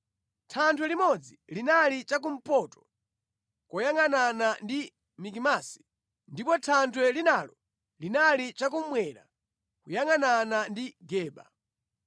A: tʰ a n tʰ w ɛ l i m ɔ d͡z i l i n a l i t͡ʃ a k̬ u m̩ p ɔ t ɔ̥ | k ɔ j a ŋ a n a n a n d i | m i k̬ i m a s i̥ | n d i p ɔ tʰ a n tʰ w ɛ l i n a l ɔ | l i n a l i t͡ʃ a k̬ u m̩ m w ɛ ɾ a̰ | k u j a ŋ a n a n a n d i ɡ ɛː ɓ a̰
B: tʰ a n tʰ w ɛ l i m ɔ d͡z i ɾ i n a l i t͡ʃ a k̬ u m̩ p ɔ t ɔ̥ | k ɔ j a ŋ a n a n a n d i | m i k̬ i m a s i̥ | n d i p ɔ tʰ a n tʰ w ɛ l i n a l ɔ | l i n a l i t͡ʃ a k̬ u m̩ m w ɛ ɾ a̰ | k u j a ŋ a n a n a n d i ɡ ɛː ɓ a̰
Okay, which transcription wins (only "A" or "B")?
A